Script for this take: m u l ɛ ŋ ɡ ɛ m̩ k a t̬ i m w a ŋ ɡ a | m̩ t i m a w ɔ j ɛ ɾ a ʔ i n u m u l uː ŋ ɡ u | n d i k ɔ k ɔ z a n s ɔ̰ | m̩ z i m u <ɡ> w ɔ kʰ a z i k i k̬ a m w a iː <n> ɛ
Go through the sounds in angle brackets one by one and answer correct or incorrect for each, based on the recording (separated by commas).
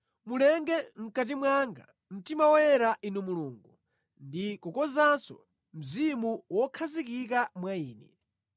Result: incorrect, correct